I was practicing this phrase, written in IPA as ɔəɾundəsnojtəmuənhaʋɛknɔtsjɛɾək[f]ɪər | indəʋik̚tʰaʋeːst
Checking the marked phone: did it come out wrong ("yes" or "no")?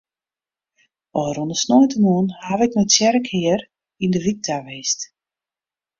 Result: yes